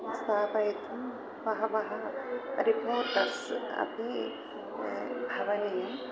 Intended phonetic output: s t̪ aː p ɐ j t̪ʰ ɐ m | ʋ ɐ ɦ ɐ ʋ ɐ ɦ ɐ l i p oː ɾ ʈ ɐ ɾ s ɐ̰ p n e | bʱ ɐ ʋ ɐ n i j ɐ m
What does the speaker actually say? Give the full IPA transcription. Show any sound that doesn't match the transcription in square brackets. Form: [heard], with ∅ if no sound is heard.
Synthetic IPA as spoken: s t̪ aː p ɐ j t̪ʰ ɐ m | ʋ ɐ ɦ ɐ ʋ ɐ ɦ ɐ [ɾ] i p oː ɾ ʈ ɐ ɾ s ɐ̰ p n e | bʱ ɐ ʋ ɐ n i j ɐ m